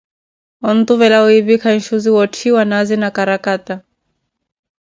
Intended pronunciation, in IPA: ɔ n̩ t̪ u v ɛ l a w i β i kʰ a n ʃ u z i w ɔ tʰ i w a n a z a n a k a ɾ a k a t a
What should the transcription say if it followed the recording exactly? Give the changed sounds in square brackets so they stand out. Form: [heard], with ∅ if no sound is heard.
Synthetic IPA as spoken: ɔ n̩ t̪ u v ɛ l a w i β i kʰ a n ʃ u z i w ɔ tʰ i w a n a z [i] n a k a ɾ a k a t a